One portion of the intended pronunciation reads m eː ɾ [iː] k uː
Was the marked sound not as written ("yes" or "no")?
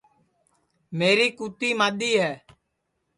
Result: no